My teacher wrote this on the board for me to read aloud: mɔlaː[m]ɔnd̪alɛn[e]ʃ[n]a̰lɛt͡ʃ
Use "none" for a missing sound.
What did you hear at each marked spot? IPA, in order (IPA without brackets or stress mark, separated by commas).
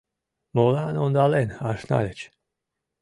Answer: n, a, n